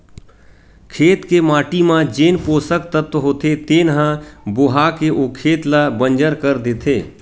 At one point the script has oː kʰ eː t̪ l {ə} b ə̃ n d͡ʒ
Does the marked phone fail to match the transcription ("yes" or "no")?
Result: yes